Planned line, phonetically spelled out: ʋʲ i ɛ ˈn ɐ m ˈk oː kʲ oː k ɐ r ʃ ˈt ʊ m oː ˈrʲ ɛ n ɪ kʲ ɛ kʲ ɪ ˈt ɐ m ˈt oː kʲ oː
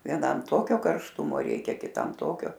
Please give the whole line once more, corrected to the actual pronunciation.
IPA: ʋʲ i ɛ ˈn ɐ m ˈt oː kʲ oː k ɐ r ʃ ˈt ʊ m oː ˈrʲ ɛ ɪ kʲ ɛ kʲ ɪ ˈt ɐ m ˈt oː kʲ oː